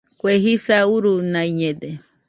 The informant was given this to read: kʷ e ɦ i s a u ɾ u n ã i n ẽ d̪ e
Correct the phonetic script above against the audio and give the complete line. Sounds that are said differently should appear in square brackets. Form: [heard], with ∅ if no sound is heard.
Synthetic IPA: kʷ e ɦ i s a u ɾ u n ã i [ɲ] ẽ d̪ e